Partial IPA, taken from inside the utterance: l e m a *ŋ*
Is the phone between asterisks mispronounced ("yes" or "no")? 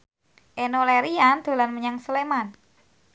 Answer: yes